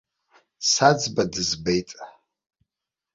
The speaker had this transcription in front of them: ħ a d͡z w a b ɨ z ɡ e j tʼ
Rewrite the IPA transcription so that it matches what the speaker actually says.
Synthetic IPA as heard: s a d͡z b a d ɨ z b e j tʼ

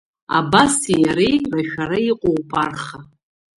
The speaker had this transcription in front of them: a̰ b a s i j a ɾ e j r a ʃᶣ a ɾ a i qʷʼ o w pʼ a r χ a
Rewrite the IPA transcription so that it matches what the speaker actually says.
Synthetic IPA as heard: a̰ b a s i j a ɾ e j r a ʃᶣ a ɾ a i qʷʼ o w pʼ a r χ a

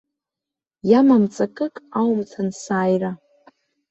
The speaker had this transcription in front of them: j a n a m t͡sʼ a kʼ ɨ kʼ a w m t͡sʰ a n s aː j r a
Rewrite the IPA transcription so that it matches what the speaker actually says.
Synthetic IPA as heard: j a m a m t͡sʼ a kʼ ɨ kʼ a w m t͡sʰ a n s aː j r a

